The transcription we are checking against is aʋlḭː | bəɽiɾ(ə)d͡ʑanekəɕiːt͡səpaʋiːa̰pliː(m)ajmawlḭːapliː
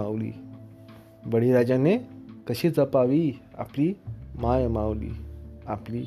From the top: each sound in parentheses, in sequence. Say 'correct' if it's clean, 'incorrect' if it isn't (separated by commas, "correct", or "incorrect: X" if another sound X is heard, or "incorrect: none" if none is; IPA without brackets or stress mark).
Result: incorrect: a, correct